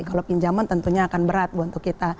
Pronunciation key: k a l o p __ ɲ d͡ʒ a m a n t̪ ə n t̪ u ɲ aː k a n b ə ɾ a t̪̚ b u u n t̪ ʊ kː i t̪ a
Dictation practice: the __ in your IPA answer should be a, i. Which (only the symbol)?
i